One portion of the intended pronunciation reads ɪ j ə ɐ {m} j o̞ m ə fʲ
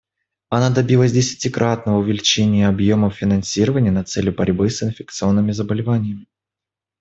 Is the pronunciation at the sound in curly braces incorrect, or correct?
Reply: incorrect